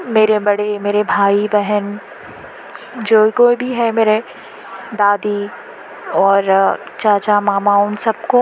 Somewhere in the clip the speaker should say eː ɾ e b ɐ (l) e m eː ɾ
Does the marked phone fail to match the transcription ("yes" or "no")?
yes